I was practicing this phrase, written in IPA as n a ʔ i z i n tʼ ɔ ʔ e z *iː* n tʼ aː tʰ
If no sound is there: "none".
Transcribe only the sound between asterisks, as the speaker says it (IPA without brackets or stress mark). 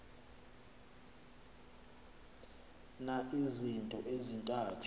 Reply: i